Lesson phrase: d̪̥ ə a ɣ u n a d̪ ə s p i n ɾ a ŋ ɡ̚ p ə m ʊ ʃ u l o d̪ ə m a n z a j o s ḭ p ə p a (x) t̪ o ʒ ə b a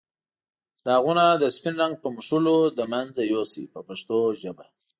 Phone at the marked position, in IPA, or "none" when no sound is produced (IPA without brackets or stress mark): ʂ